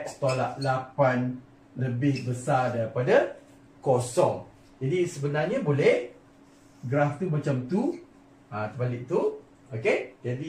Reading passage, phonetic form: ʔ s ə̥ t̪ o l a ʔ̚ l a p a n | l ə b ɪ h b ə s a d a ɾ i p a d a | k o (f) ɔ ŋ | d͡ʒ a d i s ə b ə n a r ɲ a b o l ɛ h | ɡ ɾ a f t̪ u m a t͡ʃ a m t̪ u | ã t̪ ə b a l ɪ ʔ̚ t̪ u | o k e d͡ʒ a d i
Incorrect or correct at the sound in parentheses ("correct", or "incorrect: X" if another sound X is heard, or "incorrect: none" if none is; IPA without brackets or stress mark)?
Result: incorrect: s